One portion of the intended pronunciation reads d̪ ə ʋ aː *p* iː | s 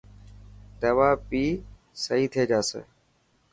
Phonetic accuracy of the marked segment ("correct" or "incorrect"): correct